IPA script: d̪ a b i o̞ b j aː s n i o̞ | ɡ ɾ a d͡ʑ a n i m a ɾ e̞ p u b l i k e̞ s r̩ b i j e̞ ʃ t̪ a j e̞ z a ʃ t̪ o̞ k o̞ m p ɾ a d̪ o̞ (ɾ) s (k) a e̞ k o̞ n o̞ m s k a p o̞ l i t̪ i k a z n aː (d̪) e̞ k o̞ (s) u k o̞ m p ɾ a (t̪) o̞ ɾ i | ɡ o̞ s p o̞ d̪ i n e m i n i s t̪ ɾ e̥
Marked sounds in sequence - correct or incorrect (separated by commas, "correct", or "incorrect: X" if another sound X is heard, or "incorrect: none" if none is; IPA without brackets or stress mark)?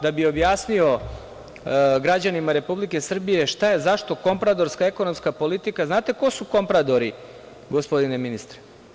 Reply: correct, correct, incorrect: t̪, correct, incorrect: d̪